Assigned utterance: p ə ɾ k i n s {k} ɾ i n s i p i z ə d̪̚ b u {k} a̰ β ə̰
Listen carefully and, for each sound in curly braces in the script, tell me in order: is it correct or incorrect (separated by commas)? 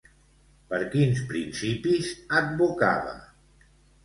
incorrect, correct